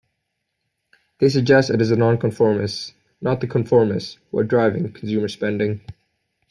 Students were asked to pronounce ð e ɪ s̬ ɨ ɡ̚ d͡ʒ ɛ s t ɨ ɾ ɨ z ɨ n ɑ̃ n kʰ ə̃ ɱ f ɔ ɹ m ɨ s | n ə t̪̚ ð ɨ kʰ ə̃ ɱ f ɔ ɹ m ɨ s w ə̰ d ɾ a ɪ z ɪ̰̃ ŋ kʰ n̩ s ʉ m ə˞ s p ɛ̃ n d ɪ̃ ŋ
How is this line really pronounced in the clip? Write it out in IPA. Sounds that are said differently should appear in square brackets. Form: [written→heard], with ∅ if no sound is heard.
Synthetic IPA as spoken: ð e ɪ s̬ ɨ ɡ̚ d͡ʒ ɛ s t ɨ ɾ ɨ z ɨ n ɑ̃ n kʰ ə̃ ɱ f ɔ ɹ m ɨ s | n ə t̪̚ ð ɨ kʰ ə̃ ɱ f ɔ ɹ m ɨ s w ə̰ d [ɾ→ɹ] a ɪ [z→v] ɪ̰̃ ŋ kʰ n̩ s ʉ m ə˞ s p ɛ̃ n d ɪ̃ ŋ